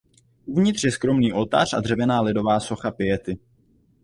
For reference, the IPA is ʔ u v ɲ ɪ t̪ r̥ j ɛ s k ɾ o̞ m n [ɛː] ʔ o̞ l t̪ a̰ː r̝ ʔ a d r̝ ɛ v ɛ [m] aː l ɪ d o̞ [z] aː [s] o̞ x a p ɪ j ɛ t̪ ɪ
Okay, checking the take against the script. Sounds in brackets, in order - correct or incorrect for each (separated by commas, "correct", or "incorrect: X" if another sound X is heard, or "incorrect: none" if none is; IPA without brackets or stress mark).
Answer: incorrect: iː, incorrect: n, incorrect: v, correct